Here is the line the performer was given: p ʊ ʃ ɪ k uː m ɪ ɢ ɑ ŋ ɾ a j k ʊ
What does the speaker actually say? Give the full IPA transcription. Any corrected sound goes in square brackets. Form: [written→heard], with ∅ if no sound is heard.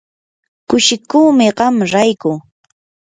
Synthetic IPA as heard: [p→k] ʊ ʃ ɪ k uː m ɪ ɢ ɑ [ŋ→m] ɾ a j k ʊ